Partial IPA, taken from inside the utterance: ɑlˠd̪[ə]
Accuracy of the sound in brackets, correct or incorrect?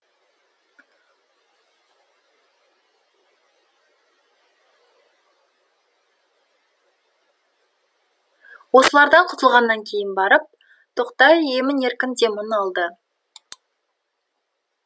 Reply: correct